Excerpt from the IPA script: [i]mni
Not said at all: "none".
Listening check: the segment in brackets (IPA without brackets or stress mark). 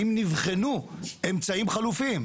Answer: i